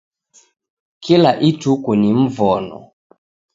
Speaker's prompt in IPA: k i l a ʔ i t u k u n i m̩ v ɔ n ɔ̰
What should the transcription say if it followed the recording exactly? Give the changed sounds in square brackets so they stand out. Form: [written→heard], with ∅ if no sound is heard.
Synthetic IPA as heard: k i l a ʔ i t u k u n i m̩ v ɔ n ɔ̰